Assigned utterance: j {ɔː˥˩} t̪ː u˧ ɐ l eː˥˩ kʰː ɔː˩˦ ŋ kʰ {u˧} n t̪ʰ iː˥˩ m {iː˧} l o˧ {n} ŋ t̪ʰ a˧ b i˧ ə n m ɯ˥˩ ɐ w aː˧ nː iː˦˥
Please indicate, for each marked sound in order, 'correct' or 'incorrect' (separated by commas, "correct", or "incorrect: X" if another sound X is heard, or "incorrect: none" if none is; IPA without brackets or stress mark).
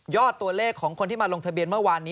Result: correct, incorrect: o˧, incorrect: aː˧, incorrect: none